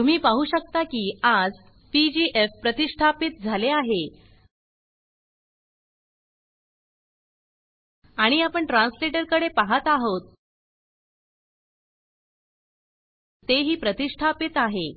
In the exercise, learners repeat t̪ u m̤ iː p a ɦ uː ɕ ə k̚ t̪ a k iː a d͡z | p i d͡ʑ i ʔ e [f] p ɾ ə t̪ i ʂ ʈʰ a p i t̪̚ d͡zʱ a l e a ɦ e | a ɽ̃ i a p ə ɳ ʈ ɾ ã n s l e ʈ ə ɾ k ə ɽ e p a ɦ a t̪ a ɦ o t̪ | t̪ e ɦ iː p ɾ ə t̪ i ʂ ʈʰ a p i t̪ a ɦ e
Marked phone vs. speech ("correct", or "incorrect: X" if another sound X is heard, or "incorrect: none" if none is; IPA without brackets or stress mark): correct